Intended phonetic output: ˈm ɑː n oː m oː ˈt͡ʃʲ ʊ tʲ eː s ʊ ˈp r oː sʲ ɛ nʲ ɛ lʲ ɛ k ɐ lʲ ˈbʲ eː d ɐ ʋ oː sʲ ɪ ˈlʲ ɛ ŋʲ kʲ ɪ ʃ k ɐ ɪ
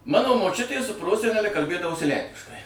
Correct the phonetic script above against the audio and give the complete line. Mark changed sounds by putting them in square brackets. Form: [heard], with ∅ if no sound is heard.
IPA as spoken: ˈm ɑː n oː m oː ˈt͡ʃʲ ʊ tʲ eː s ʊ ˈp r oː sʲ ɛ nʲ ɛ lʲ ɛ k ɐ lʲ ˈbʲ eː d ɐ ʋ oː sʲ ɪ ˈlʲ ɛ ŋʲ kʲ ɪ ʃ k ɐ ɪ